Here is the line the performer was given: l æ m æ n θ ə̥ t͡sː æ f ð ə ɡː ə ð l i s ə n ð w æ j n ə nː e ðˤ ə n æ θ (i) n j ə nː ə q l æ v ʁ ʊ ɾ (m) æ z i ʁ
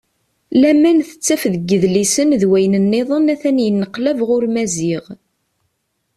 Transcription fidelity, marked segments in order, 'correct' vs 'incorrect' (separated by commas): incorrect, correct